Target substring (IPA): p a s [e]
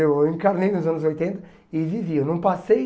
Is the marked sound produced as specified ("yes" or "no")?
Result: yes